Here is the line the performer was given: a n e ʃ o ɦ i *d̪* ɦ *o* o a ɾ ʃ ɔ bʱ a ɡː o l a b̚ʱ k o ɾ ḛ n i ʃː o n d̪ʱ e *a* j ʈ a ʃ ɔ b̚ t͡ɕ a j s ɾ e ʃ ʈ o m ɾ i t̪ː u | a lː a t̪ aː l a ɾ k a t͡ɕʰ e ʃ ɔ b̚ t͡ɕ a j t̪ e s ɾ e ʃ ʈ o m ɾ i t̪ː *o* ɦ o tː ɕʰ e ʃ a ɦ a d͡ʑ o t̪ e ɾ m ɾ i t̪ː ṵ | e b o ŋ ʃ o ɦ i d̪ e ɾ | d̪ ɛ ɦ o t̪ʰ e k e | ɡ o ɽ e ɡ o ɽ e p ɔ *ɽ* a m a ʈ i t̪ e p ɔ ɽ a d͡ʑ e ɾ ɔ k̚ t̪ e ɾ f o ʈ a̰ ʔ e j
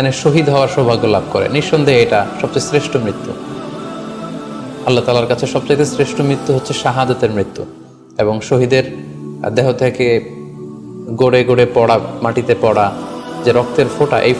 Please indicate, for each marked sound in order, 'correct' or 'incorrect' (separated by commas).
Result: correct, incorrect, incorrect, incorrect, correct